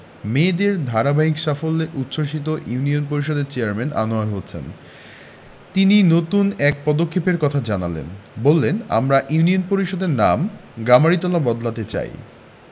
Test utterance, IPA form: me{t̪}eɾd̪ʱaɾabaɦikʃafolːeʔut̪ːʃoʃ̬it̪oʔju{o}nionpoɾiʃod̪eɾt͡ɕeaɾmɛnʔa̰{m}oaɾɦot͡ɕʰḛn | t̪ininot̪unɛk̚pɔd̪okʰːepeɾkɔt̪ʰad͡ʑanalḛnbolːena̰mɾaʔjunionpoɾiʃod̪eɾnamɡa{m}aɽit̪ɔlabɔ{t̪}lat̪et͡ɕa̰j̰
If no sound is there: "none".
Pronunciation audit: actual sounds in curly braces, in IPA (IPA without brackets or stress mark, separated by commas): d̪, u, n, m, d̪